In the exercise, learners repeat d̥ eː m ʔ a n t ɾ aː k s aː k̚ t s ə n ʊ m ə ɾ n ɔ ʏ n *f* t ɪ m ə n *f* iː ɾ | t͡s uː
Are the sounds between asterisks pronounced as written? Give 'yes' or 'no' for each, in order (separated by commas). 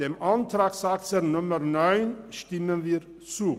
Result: no, no